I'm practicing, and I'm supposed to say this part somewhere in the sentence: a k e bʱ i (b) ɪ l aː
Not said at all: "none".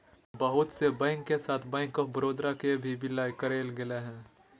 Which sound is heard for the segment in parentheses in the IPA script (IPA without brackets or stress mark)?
b